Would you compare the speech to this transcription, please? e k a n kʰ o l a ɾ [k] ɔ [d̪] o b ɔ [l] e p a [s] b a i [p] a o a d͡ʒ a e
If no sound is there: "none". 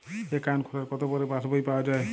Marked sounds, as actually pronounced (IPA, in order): k, t̪, ɾ, s, p

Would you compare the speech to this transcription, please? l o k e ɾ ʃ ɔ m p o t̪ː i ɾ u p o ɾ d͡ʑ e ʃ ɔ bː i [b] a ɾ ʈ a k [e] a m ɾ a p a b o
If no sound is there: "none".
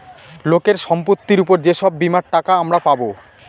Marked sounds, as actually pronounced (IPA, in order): m, a

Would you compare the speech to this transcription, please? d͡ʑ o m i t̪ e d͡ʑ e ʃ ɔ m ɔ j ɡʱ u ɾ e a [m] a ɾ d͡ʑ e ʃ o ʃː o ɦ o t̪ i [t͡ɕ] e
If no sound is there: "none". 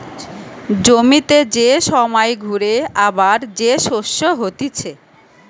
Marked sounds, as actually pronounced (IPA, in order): b, t͡ɕʰ

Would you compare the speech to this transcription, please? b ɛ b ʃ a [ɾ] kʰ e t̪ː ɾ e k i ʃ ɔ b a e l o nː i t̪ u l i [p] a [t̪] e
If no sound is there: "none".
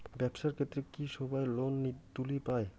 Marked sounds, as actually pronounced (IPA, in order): ɾ, p, none

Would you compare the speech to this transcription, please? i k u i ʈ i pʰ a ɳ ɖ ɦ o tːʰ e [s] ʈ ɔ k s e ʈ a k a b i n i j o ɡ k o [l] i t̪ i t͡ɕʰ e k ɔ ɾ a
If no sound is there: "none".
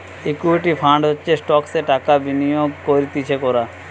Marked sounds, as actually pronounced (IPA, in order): s, ɾ

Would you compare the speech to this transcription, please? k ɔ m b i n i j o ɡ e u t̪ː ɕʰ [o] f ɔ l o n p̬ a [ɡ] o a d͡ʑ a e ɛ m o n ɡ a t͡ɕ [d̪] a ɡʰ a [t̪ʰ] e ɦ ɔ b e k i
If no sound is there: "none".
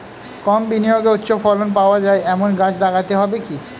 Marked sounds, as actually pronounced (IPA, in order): o, none, d̪, t̪

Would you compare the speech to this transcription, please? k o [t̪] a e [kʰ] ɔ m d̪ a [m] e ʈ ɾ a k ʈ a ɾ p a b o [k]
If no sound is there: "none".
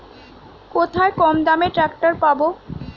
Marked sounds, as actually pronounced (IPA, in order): t̪ʰ, k, m, none

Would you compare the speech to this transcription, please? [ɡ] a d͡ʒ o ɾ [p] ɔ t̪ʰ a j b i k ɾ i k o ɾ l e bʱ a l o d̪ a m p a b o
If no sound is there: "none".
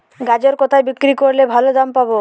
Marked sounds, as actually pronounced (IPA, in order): ɡ, k

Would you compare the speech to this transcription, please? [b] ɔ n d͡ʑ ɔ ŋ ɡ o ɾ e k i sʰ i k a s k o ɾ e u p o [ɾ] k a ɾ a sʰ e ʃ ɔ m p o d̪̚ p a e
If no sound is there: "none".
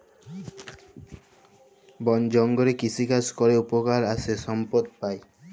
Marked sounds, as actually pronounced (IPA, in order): b, none

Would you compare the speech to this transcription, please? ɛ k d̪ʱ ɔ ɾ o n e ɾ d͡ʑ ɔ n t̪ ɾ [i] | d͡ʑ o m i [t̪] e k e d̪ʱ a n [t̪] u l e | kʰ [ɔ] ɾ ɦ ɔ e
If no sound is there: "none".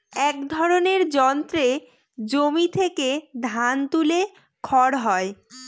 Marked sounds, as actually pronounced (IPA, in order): e, t̪ʰ, t̪, ɔ

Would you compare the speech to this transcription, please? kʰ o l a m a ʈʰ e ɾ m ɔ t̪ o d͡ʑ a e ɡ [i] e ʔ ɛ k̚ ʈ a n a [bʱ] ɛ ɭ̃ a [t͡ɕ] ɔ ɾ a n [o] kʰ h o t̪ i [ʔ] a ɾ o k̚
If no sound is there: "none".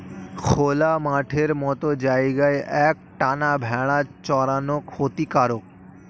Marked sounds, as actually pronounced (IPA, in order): a, bʱ, t͡ɕ, o, k

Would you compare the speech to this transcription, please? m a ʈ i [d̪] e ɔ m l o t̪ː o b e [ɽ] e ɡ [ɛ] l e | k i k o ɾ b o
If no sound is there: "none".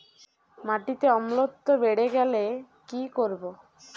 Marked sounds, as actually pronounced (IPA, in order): t̪, ɽ, ɛ

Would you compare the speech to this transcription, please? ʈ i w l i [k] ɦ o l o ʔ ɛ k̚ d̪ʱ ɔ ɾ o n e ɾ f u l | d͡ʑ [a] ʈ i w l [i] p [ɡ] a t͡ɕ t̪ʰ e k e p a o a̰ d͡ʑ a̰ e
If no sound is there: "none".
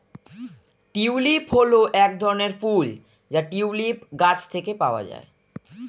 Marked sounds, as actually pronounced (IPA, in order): p, a, i, ɡ

